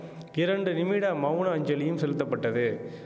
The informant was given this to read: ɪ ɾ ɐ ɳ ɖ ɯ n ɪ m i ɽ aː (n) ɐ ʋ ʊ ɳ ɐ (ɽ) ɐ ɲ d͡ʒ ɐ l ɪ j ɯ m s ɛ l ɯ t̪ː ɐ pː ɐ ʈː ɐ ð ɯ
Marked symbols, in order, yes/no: no, no

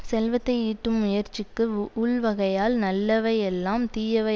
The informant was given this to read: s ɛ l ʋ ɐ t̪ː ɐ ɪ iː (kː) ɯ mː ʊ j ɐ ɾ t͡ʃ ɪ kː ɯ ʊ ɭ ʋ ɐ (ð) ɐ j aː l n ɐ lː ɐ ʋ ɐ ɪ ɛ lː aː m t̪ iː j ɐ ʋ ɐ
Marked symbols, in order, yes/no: no, no

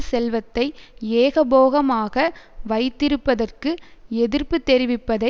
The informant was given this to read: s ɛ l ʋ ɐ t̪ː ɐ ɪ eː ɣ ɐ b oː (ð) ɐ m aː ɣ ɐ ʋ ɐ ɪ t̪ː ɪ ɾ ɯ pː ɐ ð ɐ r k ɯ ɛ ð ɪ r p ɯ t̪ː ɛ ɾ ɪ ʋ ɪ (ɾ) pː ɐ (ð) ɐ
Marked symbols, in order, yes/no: no, no, yes

